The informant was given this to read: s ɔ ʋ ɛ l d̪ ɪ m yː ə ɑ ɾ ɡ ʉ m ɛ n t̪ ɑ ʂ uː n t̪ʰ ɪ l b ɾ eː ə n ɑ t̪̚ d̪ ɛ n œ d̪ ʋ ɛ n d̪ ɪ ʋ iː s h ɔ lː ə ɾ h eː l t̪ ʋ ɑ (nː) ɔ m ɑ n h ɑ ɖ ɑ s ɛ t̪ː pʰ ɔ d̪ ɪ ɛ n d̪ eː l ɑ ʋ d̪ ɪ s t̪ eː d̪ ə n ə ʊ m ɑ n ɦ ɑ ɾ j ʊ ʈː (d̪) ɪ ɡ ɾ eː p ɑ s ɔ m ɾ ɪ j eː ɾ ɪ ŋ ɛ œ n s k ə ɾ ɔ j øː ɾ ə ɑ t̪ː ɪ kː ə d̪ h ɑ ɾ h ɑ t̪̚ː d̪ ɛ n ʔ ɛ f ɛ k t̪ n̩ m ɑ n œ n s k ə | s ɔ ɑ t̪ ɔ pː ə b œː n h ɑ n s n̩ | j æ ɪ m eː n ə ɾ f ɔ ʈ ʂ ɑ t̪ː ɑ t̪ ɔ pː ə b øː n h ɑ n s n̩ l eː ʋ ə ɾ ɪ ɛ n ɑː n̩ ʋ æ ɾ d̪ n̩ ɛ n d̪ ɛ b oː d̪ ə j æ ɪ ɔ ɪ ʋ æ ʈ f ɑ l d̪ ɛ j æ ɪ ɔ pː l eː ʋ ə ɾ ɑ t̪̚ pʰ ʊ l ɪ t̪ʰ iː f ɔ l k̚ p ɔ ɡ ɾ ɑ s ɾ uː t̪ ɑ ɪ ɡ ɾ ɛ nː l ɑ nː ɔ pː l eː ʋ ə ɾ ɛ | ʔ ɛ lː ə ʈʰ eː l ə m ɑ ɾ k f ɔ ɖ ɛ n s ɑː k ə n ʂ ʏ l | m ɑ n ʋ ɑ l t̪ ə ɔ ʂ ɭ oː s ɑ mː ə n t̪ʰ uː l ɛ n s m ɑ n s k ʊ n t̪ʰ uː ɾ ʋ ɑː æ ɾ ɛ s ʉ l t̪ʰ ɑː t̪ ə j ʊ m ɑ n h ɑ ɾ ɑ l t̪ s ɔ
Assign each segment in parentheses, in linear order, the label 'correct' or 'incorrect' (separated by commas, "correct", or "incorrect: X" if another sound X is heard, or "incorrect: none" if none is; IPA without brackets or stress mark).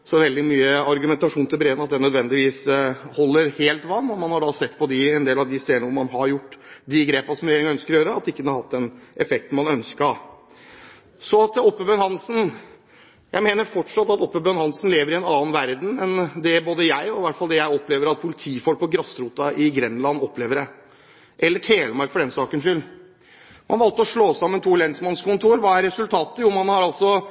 correct, correct